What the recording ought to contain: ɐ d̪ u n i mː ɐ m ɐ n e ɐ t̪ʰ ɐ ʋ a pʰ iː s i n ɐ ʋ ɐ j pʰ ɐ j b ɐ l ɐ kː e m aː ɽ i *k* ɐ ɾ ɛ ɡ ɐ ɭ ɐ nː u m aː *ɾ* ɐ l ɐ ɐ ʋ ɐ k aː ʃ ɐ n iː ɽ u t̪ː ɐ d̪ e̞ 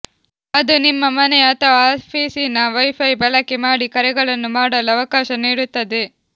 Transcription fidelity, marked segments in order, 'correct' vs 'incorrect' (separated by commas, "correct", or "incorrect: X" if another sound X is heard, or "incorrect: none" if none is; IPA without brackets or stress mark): correct, incorrect: ɽ